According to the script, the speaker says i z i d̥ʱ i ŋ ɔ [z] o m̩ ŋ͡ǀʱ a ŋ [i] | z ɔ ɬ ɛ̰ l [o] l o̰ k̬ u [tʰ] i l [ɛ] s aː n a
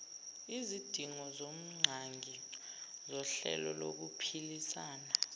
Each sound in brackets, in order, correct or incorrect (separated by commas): correct, correct, incorrect, incorrect, incorrect